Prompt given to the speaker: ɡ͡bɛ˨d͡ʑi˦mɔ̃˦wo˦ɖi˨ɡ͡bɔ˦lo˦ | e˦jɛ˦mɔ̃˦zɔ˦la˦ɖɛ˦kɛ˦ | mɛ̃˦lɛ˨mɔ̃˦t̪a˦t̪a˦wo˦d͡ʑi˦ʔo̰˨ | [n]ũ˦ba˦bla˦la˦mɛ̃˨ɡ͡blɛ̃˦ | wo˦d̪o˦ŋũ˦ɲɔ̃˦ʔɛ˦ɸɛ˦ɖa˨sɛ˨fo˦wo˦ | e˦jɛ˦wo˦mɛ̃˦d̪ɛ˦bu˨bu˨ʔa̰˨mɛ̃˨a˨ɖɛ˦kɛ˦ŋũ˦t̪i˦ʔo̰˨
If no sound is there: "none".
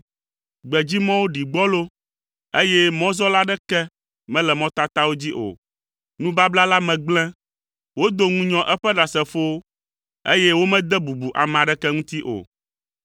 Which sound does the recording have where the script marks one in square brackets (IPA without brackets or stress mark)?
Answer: n